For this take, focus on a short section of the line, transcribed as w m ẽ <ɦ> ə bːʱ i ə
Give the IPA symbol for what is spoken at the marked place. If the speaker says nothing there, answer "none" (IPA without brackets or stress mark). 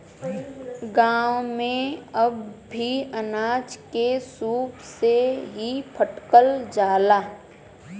none